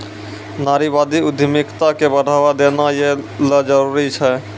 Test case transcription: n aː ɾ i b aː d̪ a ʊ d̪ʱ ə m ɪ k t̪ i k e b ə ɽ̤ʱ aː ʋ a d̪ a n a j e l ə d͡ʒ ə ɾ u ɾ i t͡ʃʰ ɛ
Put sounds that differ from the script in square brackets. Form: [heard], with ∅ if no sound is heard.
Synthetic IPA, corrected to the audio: n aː ɾ i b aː d̪ [i] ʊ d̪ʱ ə m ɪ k t̪ [a] k e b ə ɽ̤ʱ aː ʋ a d̪ [e] n a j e l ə d͡ʒ ə ɾ u ɾ i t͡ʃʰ ɛ